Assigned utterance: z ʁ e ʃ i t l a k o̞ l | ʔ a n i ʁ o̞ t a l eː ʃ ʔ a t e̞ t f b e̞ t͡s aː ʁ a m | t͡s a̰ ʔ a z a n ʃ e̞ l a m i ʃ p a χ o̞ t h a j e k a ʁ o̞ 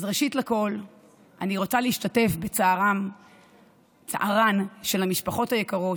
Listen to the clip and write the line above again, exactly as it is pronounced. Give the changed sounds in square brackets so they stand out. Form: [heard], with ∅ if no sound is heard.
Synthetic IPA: z ʁ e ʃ i t l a k o̞ l | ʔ a n i ʁ o̞ [t͡s] a l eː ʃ [t] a t e̞ [∅] f b e̞ t͡s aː ʁ a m | t͡s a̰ ʔ a [ʁ] a n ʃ e̞ l a m i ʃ p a χ o̞ t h a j e k a ʁ o̞